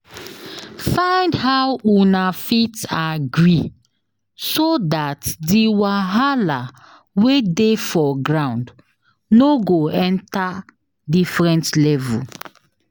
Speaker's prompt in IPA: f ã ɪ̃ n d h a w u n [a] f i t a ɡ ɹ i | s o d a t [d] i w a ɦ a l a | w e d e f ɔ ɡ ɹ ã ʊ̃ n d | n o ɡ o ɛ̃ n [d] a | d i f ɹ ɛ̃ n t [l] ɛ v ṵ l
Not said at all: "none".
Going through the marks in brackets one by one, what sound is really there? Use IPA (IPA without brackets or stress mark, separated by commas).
a, d, t, l